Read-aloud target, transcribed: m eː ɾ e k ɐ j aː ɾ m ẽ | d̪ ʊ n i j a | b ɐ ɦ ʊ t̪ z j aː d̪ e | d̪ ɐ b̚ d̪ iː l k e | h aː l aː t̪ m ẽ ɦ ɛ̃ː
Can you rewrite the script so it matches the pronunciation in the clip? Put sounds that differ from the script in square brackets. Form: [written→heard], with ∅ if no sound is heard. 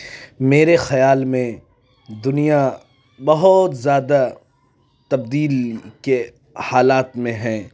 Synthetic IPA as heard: m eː ɾ e [k→x] ɐ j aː [ɾ→l] m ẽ | d̪ ʊ n i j a | b ɐ ɦ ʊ t̪ z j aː d̪ [e→a] | [d̪→t̪] ɐ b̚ d̪ iː l k e | h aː l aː t̪ m ẽ ɦ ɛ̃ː

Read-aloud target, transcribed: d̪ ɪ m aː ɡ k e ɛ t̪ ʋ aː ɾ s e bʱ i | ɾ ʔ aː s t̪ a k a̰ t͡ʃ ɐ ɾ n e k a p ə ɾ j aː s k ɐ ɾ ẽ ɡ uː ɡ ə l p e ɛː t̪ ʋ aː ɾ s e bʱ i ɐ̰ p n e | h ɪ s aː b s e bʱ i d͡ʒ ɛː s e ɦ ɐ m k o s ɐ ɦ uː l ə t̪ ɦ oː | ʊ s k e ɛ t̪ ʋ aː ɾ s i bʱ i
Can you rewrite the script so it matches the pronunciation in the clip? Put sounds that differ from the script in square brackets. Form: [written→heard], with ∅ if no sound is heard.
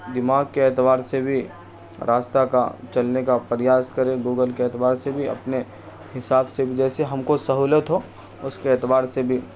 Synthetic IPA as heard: d̪ ɪ m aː ɡ k e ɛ t̪ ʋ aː ɾ s e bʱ i | ɾ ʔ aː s t̪ a k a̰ t͡ʃ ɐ [ɾ→l] n e k a p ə ɾ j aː s k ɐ ɾ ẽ ɡ uː ɡ ə l [p→k] e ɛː t̪ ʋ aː ɾ s e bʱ i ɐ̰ p n e | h ɪ s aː b s e bʱ i d͡ʒ ɛː s e ɦ ɐ m k o s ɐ ɦ uː l ə t̪ ɦ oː | ʊ s k e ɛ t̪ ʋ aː ɾ s [i→e] bʱ i

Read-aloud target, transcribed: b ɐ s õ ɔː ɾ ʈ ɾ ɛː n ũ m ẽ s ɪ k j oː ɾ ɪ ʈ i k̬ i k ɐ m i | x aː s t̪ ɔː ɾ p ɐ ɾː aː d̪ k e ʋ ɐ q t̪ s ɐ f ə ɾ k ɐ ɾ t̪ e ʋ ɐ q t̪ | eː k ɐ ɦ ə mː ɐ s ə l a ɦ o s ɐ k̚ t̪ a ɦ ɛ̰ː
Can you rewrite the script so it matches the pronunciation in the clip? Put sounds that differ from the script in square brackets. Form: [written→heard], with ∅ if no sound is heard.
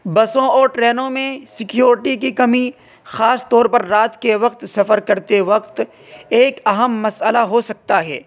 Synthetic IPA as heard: b ɐ s õ ɔː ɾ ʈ ɾ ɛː n [ũ→õ] m ẽ s ɪ k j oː ɾ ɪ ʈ i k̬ i k ɐ m i | x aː s t̪ ɔː ɾ p ɐ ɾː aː [d̪→t̪] k e ʋ ɐ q t̪ s ɐ f ə ɾ k ɐ ɾ t̪ e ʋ ɐ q t̪ | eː k ɐ ɦ ə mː ɐ s ə l a ɦ o s ɐ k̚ t̪ a ɦ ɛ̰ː

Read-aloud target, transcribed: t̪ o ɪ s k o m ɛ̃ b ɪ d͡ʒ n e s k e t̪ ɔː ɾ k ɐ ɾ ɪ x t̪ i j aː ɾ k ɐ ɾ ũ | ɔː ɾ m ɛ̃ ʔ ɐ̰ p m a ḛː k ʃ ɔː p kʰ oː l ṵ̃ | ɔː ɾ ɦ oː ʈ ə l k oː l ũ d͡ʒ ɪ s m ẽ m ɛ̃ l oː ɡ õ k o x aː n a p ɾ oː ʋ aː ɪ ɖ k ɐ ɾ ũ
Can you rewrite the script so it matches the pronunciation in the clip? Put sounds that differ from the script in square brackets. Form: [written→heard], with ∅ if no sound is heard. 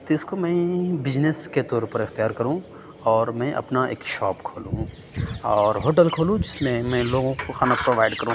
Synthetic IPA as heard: t̪ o ɪ s k o m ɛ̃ b ɪ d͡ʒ n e s k e t̪ ɔː ɾ [k→p] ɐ ɾ ɪ x t̪ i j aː ɾ k ɐ ɾ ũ | ɔː ɾ m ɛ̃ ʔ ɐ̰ p [m→n] a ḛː k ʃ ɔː p kʰ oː l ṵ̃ | ɔː ɾ ɦ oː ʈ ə l [k→kʰ] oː l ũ d͡ʒ ɪ s m ẽ m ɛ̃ l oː ɡ õ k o x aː n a p ɾ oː ʋ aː ɪ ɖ k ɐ ɾ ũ

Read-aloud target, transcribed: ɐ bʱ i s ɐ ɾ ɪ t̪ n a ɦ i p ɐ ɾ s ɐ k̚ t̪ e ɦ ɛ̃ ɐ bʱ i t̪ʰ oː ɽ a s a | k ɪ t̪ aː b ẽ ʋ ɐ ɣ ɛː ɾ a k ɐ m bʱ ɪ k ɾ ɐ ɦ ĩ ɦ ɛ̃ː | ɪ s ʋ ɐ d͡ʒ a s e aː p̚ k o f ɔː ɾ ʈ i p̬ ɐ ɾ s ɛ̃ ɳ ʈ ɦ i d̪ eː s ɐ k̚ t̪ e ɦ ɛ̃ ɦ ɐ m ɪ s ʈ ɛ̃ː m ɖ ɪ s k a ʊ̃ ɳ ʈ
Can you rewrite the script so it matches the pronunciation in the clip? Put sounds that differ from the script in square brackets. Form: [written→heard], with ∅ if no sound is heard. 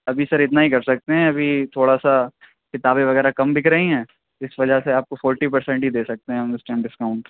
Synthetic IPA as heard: ɐ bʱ i s ɐ ɾ ɪ t̪ n a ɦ i [p→k] ɐ ɾ s ɐ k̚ t̪ e ɦ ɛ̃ ɐ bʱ i t̪ʰ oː ɽ a s a | k ɪ t̪ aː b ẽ ʋ ɐ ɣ ɛː ɾ a k ɐ m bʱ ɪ k ɾ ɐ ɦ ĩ ɦ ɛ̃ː | ɪ s ʋ ɐ d͡ʒ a s e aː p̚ k o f ɔː ɾ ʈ i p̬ ɐ ɾ s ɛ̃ ɳ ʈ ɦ i d̪ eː s ɐ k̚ t̪ e ɦ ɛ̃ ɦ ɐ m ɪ s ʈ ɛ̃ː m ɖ ɪ s k a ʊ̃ ɳ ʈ

